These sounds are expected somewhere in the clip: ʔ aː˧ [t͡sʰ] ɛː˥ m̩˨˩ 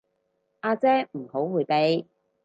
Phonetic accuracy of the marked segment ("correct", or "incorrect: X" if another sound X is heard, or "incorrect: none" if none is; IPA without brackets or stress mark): incorrect: t͡s